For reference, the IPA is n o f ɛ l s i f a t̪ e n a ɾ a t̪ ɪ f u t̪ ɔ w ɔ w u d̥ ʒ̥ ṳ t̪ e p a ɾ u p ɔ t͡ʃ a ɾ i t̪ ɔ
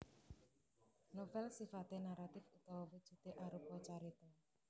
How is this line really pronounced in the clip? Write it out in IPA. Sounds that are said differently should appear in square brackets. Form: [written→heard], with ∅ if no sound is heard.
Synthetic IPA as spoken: n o f ɛ l s i f a t̪ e n a ɾ a t̪ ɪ f u t̪ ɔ w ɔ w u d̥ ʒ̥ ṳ t̪ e [p→ʔ] a ɾ u p ɔ t͡ʃ a ɾ i t̪ ɔ